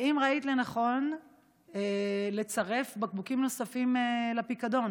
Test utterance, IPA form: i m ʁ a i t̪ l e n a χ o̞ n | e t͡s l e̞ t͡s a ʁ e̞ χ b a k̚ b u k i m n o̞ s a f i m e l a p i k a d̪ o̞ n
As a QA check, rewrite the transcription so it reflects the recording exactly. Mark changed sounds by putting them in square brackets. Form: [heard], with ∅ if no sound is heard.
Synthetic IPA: i m ʁ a i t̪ l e n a χ o̞ n | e [∅] l e̞ t͡s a ʁ e̞ [f] b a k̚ b u k i m n o̞ s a f i m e l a p i k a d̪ o̞ n